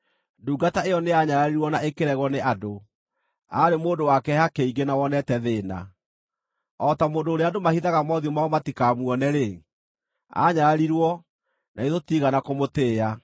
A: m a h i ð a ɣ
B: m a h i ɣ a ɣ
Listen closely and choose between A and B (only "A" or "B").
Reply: A